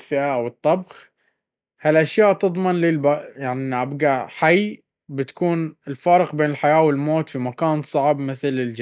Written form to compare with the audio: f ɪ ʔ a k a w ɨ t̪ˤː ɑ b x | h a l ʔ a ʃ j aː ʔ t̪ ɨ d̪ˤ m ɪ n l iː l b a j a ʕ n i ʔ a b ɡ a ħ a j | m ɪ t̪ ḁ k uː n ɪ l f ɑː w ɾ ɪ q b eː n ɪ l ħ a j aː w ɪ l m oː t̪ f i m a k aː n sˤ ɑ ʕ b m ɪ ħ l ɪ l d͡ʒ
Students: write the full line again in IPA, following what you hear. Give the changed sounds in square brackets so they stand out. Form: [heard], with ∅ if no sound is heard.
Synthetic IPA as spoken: f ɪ ʔ a [ʔ] a w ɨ t̪ˤː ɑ b x | h a l ʔ a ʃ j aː ʔ t̪ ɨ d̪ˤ m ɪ n l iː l b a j a ʕ n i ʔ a b ɡ a ħ a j | [b] ɪ t̪ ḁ k uː n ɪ l f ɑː [∅] ɾ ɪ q b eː n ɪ l ħ a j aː w ɪ l m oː t̪ f i m a k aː n sˤ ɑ ʕ b m ɪ [θ] l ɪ l d͡ʒ